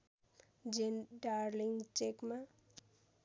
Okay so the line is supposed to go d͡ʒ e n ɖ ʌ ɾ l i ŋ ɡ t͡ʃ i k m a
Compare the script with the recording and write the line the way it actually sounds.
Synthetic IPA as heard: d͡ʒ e n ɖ a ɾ l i ŋ ɡ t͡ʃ e k m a

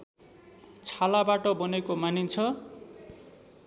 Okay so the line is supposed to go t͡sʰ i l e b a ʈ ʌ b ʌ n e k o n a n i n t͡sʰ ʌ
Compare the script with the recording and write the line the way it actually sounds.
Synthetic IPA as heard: t͡sʰ a l a b a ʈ ʌ b ʌ n e k o m a n i n t͡sʰ ʌ

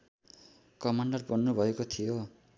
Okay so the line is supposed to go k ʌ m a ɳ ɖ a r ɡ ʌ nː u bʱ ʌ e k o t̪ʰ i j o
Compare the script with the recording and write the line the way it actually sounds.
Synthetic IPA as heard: k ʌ m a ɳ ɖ ʌ r b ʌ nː u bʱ ʌ e k o t̪ʰ i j o

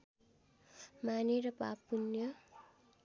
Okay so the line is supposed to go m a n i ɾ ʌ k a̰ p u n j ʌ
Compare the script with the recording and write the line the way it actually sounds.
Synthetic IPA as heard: m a n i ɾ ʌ p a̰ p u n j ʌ

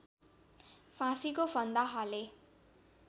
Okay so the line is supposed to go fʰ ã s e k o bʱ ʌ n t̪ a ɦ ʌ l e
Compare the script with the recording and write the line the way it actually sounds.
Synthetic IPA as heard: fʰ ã s i k o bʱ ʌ n d̪ a ɦ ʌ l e

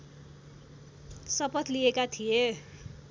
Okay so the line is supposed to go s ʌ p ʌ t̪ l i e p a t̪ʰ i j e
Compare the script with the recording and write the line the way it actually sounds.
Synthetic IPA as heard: s ʌ p ʌ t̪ l i e k a t̪ʰ i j e

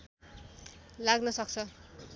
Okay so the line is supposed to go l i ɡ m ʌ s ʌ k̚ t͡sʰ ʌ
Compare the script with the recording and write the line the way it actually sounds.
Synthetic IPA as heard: l a ɡ n ʌ s ʌ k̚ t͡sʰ ʌ

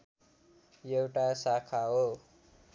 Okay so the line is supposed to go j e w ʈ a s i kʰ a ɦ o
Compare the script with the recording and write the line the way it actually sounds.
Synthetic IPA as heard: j e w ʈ a s a kʰ a ɦ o

